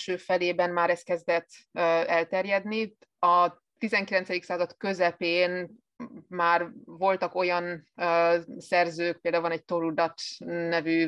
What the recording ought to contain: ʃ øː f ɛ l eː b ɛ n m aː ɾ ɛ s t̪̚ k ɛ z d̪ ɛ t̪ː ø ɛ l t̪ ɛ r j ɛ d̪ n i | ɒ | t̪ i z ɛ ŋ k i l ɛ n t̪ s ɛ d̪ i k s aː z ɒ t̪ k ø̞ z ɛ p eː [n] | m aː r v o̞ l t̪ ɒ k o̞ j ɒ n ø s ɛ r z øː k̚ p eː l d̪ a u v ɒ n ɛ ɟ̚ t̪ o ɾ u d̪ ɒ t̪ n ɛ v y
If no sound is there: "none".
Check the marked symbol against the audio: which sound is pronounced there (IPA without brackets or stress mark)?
n